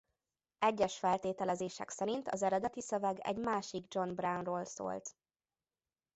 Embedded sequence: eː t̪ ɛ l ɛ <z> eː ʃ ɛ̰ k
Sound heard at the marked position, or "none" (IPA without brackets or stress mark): z